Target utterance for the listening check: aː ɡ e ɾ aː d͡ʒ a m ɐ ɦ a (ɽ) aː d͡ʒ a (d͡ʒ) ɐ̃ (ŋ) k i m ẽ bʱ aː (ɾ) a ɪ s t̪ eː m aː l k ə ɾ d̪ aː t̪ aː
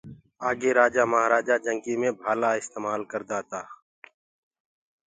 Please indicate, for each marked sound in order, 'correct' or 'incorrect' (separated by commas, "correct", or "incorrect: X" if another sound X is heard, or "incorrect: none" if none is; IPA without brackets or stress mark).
incorrect: ɾ, correct, correct, incorrect: l